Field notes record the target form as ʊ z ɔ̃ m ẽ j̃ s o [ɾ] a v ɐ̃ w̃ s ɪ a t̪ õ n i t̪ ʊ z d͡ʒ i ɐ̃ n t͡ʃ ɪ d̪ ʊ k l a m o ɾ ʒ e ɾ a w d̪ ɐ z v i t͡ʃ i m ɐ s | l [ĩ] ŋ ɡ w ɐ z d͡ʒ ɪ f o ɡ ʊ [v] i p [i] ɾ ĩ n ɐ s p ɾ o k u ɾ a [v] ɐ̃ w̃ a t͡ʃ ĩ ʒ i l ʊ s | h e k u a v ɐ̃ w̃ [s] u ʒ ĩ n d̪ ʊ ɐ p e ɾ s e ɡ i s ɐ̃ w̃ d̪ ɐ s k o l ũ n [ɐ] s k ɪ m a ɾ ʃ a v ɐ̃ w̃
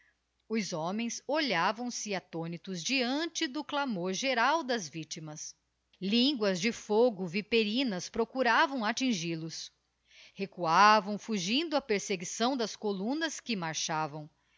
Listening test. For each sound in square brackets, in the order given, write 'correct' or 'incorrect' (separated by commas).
incorrect, correct, correct, incorrect, correct, incorrect, correct